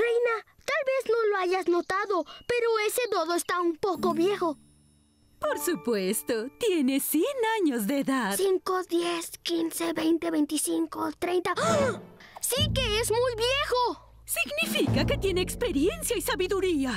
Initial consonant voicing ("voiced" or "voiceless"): voiced